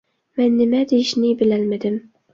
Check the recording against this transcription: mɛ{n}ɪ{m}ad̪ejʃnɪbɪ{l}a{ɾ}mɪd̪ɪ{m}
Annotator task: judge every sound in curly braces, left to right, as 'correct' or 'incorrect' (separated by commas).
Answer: incorrect, correct, correct, incorrect, correct